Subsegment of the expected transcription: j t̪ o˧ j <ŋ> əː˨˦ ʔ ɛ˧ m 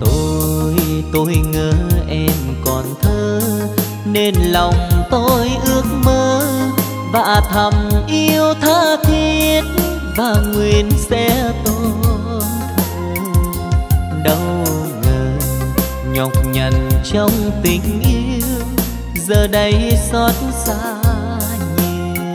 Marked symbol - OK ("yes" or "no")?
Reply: yes